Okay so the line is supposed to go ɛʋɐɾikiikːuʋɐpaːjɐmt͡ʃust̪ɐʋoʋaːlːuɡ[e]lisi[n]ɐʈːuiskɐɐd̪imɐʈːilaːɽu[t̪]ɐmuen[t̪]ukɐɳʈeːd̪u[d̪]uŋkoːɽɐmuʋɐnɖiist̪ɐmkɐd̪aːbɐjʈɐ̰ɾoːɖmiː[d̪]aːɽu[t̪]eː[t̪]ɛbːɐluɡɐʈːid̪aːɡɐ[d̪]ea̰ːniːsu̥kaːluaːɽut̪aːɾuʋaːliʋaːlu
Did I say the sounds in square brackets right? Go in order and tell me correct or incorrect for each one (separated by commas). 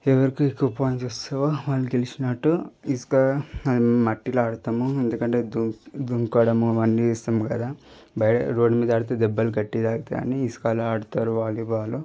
correct, correct, correct, incorrect, correct, correct, correct, incorrect, incorrect